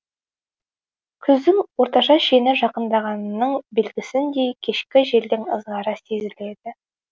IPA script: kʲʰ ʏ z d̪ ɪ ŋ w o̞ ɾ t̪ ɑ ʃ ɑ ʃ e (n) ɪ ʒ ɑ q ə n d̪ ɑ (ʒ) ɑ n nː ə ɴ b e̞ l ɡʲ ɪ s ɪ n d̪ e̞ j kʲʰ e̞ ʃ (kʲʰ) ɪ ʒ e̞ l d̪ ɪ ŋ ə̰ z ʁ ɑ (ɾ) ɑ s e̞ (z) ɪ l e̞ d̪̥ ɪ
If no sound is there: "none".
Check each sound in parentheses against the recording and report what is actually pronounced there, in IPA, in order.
n, ʁ, kʲ, ɾ, z

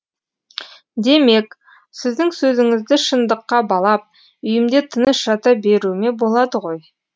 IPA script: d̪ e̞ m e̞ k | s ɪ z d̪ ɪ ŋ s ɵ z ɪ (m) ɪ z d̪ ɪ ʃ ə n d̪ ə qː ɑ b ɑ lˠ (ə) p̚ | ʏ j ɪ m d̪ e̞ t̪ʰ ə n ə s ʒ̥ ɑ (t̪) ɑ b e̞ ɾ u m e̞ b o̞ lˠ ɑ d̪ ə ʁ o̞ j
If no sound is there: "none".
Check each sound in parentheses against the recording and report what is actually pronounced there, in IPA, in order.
ŋ, ɑ, t̪

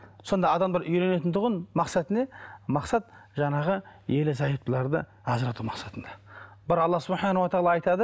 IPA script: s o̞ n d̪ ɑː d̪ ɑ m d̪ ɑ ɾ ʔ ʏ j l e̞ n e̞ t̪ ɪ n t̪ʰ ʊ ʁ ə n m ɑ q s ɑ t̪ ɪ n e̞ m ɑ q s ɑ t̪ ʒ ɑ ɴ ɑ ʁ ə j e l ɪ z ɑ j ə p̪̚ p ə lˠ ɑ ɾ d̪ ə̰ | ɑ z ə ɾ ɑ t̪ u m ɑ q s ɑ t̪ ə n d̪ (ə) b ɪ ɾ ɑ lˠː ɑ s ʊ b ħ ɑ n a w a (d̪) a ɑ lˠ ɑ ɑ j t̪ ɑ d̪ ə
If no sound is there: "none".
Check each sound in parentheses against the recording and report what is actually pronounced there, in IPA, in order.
ɑ, t̪

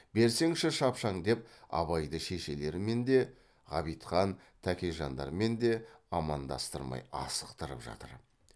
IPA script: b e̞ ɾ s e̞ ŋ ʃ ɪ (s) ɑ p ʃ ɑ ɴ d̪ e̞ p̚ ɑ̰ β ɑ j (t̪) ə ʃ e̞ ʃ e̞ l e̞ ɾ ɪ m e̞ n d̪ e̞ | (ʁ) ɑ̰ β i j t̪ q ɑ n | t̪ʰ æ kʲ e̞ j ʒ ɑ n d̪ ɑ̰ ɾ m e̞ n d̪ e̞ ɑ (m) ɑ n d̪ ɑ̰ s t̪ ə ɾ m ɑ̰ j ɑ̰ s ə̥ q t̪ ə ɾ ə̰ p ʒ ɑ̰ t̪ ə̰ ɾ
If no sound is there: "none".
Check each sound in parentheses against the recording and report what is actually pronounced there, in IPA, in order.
ʃ, d̪, ʁ, m

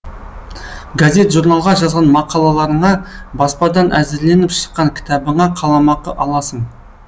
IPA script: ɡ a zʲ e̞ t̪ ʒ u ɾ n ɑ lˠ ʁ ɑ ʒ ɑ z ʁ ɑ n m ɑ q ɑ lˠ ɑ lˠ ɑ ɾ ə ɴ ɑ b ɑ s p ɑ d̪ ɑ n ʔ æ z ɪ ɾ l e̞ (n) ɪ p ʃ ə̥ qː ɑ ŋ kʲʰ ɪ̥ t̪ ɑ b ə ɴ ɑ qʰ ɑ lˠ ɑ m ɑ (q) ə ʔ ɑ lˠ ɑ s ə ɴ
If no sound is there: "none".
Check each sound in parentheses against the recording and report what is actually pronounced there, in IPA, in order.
n, q

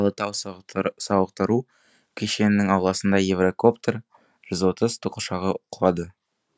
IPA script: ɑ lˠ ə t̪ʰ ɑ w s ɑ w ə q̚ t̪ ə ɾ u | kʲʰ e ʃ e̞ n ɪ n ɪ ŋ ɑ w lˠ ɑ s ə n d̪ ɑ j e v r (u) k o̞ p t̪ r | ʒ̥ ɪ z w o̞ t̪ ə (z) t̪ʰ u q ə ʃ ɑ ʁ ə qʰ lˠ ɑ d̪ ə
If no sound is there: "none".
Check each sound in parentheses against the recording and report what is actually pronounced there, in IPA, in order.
o, z

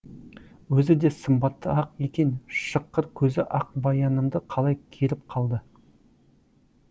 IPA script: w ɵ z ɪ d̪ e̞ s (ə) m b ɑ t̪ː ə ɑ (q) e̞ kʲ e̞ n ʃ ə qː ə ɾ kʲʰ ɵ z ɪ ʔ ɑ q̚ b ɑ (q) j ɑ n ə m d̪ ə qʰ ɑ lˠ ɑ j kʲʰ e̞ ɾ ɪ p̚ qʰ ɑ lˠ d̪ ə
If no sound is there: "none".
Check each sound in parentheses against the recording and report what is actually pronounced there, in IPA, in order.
ə, q, none

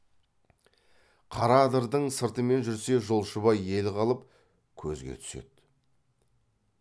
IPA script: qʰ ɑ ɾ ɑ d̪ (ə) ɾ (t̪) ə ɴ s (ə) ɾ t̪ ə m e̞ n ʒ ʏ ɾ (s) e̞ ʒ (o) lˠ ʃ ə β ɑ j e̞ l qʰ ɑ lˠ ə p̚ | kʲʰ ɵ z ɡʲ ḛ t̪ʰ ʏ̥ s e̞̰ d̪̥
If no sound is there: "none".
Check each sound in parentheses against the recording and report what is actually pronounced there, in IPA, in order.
ə, d̪, ə, s, o

